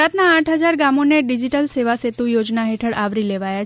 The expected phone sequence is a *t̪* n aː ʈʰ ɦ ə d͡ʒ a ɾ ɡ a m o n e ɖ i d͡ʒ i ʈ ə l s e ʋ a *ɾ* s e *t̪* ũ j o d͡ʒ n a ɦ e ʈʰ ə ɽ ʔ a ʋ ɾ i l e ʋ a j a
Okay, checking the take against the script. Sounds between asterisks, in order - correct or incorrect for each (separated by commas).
correct, incorrect, correct